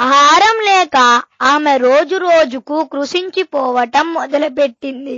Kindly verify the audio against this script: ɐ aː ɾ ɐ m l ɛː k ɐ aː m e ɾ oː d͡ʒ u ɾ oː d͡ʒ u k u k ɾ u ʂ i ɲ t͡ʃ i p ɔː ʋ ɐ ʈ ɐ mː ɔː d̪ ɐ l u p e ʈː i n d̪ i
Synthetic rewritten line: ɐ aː ɾ ɐ m l ɛː k ɐ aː m e ɾ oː d͡ʒ u ɾ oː d͡ʒ u k u k ɾ u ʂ i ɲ t͡ʃ i p ɔː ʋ ɐ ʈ ɐ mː ɔ d̪ ɐ l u p e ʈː i n d̪ i